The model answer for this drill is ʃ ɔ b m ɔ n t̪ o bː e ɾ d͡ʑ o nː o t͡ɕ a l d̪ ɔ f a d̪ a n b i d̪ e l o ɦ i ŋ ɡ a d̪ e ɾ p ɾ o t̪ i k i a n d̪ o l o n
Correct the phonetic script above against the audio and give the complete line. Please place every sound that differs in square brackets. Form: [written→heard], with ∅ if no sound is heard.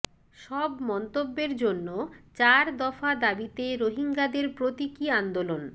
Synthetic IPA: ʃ ɔ b m ɔ n t̪ o bː e ɾ d͡ʑ o nː o t͡ɕ a [l→ɾ] d̪ ɔ f a d̪ a [n→∅] b i [d̪→t̪] e [l→ɾ] o ɦ i ŋ ɡ a d̪ e ɾ p ɾ o t̪ i k i a n d̪ o l o n

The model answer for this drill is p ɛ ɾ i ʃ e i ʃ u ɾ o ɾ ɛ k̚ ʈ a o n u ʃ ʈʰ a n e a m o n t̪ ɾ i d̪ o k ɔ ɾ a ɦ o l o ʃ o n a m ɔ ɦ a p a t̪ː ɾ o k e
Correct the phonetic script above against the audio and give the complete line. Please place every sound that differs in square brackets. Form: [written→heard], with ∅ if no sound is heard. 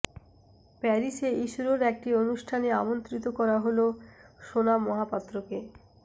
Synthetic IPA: p ɛ ɾ i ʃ e i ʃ u ɾ o ɾ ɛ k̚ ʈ [a→i] o n u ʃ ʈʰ a n e a m o n t̪ ɾ i [d̪→t̪] o k ɔ ɾ a ɦ o l o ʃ o n a m ɔ ɦ a p a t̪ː ɾ o k e

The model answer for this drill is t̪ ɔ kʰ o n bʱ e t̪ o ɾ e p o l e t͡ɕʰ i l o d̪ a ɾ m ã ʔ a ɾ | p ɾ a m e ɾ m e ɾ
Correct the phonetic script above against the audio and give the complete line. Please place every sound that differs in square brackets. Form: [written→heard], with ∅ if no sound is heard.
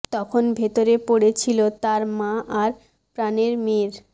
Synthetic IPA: t̪ ɔ kʰ o n bʱ e t̪ o ɾ e p o [l→ɽ] e t͡ɕʰ i l o [d̪→t̪] a ɾ m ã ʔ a ɾ | p ɾ a [m→n] e ɾ m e ɾ

